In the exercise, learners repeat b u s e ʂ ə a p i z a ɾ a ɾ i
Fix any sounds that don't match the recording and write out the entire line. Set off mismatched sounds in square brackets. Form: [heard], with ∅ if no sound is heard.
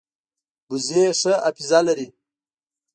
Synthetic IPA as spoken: b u [z] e ʂ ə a p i z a [l] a ɾ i